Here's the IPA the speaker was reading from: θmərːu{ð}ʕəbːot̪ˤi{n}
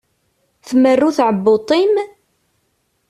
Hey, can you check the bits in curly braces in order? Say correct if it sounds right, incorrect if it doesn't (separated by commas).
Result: incorrect, incorrect